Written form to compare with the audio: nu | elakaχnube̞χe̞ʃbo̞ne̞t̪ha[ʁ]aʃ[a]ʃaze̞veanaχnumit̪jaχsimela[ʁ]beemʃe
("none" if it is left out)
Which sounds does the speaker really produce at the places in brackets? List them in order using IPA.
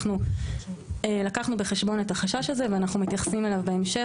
χ, a, v

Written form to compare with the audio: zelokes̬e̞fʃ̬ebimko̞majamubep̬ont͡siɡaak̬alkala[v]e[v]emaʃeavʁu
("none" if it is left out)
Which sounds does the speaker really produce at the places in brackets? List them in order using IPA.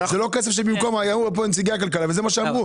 v, z

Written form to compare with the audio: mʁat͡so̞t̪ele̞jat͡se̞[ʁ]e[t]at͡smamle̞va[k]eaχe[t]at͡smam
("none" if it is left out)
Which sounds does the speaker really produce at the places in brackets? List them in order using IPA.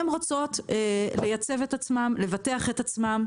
v, t, t, t

